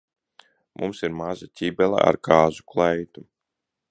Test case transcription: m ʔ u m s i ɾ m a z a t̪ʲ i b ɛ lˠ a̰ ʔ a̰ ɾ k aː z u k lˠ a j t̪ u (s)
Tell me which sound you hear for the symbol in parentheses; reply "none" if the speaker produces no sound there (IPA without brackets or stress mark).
none